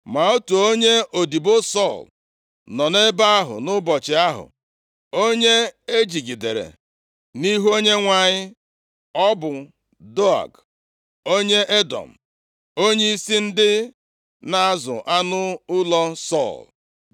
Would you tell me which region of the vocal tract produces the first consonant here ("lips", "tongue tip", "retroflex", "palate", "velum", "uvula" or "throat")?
lips